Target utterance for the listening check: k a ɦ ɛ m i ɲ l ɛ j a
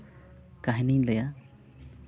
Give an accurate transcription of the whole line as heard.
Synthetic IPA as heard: k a ɦ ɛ n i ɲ l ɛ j a